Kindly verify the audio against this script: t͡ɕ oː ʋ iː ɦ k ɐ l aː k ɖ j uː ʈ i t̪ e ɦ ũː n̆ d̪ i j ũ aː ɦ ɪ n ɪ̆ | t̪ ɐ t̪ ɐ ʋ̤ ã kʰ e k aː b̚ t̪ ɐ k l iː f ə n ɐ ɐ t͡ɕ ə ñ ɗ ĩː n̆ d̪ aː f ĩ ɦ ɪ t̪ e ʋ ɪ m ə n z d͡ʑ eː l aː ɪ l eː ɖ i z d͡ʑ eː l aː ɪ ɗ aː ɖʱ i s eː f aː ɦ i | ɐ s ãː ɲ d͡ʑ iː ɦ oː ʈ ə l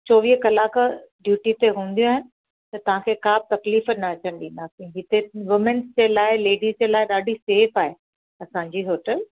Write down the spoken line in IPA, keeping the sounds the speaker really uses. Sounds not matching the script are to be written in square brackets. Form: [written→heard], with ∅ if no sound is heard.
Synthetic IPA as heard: t͡ɕ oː ʋ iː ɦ k ɐ l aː k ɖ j uː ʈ i t̪ e ɦ ũː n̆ d̪ i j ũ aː ɦ ɪ n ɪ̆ | t̪ ɐ t̪ ɐ ʋ̤ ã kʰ e k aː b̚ t̪ ɐ k l iː f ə n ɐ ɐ t͡ɕ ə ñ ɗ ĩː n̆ d̪ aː [f→s] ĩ ɦ ɪ t̪ e ʋ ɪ m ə n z d͡ʑ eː l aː ɪ l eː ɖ i z d͡ʑ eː l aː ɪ ɗ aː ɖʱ i s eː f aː ɦ [i→e] | ɐ s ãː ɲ d͡ʑ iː ɦ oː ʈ ə l

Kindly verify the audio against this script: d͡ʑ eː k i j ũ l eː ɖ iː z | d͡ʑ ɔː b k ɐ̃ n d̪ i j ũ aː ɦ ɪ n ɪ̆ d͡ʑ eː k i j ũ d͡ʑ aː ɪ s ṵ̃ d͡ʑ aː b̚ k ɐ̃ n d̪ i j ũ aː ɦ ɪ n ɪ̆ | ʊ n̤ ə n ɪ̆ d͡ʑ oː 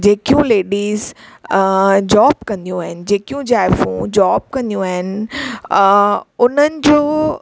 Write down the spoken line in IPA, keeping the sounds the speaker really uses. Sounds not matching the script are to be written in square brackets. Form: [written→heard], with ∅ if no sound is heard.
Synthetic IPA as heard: d͡ʑ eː k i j ũ l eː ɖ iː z | d͡ʑ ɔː b k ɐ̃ n d̪ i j ũ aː ɦ ɪ n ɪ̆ d͡ʑ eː k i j ũ d͡ʑ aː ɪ [s→f] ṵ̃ d͡ʑ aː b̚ k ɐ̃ n d̪ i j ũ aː ɦ ɪ n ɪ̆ | ʊ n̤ ə n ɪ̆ d͡ʑ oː

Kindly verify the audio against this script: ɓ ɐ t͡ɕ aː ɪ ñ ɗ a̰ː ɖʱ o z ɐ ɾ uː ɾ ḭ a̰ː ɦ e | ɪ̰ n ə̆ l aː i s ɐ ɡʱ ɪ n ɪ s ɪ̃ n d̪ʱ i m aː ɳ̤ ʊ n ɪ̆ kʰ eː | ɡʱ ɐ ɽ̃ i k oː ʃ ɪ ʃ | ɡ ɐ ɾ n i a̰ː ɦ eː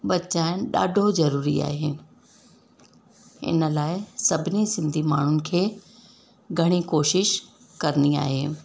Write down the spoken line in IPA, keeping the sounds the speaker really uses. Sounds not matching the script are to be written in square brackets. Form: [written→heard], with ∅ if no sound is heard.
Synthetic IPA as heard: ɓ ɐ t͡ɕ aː ɪ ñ ɗ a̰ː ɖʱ o z ɐ ɾ uː ɾ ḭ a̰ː ɦ e | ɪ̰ n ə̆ l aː [i→ɪ] s ɐ [ɡʱ→bʱ] ɪ n [ɪ→i] s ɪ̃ n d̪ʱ i m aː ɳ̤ ʊ n ɪ̆ kʰ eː | ɡʱ ɐ ɽ̃ i k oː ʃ ɪ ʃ | [ɡ→k] ɐ ɾ n i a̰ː ɦ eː

